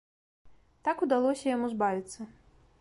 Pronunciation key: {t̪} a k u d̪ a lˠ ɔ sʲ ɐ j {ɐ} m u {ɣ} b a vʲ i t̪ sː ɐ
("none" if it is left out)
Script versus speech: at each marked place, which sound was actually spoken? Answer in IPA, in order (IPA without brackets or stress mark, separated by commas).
t̪, a, z